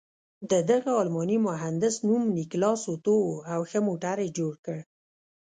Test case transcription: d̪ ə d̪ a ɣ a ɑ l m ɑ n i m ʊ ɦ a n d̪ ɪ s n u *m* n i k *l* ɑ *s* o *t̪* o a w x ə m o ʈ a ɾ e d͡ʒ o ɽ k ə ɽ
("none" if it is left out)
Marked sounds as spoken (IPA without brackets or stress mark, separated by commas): m, l, s, t̪